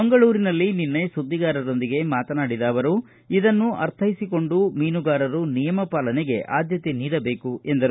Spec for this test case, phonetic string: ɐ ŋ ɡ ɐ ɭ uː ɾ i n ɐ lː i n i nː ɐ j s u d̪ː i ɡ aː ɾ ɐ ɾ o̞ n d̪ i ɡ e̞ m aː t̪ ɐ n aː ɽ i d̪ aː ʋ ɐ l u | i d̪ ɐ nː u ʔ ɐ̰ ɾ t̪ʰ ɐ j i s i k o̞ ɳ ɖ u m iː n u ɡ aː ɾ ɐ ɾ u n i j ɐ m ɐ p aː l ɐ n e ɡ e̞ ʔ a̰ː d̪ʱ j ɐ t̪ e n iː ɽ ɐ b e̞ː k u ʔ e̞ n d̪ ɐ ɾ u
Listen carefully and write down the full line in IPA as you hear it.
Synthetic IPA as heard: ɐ ŋ ɡ ɐ ɭ uː ɾ i n ɐ lː i n i nː ɐ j s u d̪ː i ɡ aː ɾ ɐ ɾ o̞ n d̪ i ɡ e̞ m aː t̪ ɐ n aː ɽ i d̪ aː ʋ ɐ ɾ u | i d̪ ɐ nː u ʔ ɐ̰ ɾ t̪ʰ ɐ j i s i k o̞ ɳ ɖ u m iː n u ɡ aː ɾ ɐ ɾ u n i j ɐ m ɐ p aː l ɐ n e ɡ e̞ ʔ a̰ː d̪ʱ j ɐ t̪ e n iː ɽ ɐ b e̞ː k u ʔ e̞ n d̪ ɐ ɾ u